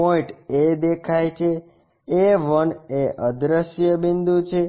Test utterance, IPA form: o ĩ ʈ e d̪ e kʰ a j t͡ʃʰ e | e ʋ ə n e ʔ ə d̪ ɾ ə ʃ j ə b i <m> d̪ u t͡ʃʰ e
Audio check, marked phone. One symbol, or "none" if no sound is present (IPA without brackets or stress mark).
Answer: n